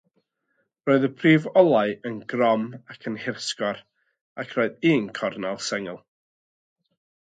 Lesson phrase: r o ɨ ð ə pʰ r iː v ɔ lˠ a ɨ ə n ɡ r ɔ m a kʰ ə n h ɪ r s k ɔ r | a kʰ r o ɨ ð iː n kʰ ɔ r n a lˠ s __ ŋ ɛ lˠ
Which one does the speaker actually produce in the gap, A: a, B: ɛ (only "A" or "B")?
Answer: B